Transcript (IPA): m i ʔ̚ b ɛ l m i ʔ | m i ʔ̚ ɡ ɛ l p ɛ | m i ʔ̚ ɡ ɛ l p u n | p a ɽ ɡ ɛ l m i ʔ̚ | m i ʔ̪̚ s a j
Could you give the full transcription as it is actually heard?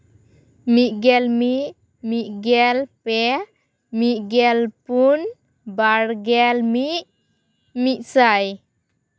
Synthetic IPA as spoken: m i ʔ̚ ɡ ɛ l m i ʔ | m i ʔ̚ ɡ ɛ l p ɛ | m i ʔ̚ ɡ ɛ l p u n | b a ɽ ɡ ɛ l m i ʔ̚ | m i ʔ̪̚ s a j